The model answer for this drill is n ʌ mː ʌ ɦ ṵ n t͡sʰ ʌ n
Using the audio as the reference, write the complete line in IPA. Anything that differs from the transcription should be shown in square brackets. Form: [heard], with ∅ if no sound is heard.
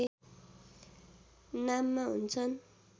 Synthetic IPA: n [a] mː [a] ɦ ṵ n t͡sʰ ʌ n